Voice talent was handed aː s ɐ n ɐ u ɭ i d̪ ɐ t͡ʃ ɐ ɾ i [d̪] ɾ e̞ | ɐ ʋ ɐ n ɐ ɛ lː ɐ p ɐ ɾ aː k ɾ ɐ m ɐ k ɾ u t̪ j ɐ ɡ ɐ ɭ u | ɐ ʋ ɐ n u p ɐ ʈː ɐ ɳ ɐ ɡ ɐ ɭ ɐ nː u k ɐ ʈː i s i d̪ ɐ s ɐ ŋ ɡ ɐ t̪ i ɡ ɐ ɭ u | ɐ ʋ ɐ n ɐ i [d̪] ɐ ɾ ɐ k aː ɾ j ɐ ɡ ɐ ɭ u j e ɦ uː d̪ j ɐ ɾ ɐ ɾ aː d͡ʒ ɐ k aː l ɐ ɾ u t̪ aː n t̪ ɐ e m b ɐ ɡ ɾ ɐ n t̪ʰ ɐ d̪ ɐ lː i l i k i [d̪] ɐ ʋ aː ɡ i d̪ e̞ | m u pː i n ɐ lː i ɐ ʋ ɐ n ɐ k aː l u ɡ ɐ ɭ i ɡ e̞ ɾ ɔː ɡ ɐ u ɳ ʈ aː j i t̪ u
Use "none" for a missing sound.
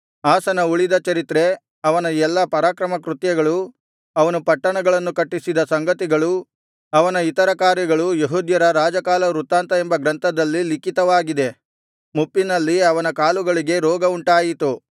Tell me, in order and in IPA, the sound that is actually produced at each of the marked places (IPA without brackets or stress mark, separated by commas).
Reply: t̪, t̪, t̪